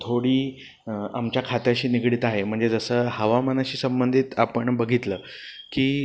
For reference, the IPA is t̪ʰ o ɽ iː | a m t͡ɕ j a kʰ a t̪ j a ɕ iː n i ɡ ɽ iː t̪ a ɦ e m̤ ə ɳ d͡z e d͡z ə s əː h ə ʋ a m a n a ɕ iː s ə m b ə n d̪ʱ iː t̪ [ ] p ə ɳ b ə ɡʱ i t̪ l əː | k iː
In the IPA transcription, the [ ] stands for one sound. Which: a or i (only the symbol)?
a